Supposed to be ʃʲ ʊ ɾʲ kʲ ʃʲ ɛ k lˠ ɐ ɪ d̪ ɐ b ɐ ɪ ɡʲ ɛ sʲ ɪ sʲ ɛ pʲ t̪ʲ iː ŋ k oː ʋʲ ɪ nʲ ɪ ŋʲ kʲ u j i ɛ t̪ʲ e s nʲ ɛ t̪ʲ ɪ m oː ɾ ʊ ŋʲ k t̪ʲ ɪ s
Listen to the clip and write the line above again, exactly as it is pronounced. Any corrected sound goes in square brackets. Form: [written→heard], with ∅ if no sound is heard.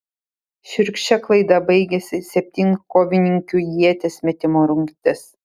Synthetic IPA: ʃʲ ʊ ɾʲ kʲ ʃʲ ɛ k lˠ ɐ ɪ d̪ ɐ b ɐ ɪ ɡʲ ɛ sʲ ɪ sʲ ɛ pʲ t̪ʲ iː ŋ k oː ʋʲ ɪ nʲ ɪ ŋʲ kʲ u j i ɛ t̪ʲ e s [nʲ→mʲ] ɛ t̪ʲ ɪ m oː ɾ ʊ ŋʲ k t̪ʲ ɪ s